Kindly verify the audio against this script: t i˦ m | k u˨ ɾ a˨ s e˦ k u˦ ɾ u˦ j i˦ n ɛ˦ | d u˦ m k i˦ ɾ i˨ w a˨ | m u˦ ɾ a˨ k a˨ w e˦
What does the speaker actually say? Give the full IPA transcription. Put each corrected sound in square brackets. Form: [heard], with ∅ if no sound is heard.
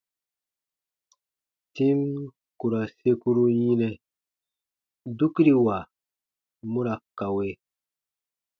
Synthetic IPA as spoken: t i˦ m | k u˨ ɾ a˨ s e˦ k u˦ ɾ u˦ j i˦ n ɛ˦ | d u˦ [∅] k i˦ ɾ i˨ w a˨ | m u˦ ɾ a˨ k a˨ w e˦